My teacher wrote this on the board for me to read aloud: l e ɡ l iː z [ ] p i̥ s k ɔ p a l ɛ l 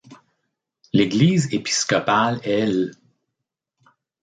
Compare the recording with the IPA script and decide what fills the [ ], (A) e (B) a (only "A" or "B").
A